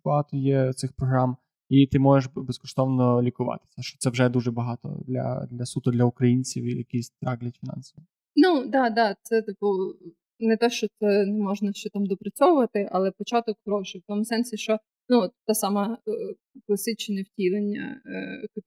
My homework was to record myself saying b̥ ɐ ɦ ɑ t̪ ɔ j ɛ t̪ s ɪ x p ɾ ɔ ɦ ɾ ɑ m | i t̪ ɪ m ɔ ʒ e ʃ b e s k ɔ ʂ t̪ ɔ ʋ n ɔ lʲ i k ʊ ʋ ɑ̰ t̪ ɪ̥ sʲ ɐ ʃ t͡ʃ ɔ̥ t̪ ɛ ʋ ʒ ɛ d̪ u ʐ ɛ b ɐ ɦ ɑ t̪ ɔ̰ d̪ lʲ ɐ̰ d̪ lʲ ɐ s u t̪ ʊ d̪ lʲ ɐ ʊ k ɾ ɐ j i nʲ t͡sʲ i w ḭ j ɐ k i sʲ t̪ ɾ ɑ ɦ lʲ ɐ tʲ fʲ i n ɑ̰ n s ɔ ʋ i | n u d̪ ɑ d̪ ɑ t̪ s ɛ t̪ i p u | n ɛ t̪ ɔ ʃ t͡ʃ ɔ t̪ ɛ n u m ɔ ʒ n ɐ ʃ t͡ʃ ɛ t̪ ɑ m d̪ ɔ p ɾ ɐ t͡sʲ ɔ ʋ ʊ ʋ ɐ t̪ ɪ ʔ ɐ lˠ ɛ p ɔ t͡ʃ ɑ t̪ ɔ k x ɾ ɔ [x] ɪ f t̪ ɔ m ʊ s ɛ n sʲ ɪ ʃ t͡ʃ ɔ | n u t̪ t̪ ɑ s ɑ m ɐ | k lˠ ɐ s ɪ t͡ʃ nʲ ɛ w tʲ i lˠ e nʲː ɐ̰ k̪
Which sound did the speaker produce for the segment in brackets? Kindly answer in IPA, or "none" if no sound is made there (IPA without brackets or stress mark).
ʃ